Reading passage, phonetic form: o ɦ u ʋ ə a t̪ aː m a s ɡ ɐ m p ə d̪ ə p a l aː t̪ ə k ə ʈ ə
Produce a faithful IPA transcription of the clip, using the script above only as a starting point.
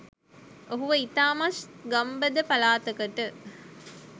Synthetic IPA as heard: o ɦ u ʋ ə i t̪ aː m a s ɡ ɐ m b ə d̪ ə p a l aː t̪ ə k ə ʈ ə